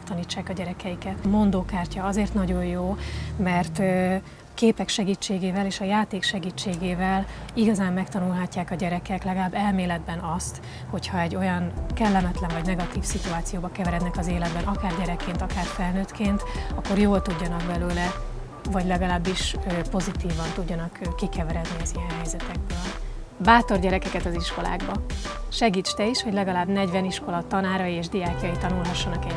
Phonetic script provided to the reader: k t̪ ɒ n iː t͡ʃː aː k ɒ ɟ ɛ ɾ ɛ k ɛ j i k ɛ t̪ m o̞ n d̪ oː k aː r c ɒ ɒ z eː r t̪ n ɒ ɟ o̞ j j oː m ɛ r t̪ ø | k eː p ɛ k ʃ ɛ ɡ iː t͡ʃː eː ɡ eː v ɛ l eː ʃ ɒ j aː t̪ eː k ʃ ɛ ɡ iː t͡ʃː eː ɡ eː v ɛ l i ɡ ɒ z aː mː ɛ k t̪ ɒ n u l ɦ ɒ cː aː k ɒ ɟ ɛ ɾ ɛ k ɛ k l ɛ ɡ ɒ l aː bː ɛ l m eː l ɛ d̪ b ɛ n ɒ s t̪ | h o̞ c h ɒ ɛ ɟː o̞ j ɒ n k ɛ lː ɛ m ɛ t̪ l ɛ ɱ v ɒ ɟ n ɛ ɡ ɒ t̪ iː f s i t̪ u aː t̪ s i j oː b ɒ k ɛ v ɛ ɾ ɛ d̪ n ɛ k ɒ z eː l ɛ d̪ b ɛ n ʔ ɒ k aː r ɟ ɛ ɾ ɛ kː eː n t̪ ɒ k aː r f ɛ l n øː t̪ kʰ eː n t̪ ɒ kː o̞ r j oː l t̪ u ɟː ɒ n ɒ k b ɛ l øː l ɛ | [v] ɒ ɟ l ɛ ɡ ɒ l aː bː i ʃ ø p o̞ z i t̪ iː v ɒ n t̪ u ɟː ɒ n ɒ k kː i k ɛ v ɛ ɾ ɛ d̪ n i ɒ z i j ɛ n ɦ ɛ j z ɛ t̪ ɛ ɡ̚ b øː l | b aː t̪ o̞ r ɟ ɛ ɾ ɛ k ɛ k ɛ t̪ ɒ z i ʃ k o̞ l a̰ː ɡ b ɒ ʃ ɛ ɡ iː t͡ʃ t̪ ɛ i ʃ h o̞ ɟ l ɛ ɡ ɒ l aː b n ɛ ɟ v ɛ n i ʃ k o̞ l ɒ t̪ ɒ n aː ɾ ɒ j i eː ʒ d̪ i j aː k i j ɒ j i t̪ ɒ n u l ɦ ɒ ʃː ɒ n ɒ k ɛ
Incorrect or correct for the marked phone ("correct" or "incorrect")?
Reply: correct